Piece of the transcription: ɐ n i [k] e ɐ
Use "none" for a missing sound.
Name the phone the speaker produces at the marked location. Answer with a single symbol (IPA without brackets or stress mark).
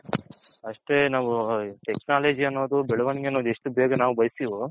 ɡ